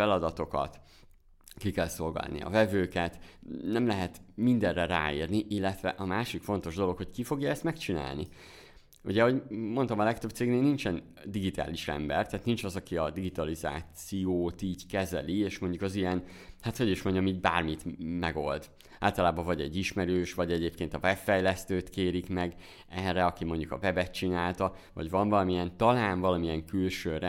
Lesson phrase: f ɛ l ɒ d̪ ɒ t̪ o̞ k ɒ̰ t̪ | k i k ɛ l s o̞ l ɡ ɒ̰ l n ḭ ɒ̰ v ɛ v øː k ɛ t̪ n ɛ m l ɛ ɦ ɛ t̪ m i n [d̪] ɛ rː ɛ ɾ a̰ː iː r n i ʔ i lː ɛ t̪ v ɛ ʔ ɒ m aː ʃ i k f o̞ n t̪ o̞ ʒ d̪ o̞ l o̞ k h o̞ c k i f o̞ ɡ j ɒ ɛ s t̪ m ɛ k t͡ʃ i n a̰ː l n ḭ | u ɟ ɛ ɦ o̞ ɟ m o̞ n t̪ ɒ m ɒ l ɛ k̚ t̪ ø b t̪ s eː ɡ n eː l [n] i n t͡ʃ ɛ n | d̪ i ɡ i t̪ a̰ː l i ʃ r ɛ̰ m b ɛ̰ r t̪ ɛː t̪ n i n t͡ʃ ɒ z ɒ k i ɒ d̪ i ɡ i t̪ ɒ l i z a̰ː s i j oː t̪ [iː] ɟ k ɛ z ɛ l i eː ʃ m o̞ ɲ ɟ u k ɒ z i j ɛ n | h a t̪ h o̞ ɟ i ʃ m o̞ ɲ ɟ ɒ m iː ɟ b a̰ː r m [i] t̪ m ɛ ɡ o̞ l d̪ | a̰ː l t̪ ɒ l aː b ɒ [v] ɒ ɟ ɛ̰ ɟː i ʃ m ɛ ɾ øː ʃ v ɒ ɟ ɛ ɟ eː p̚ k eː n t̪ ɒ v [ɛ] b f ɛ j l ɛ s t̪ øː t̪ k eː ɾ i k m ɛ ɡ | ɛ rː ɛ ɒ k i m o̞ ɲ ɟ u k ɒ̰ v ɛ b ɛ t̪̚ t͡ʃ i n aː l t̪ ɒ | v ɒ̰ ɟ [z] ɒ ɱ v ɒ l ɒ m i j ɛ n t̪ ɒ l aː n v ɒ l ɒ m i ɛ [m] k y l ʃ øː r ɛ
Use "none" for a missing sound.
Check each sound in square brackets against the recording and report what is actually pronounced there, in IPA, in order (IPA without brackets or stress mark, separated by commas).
d̪, n, iː, i, v, ɛ, v, ŋ